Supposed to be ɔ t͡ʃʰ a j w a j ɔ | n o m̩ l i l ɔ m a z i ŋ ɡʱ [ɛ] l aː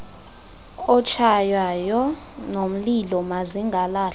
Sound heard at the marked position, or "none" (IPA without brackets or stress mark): a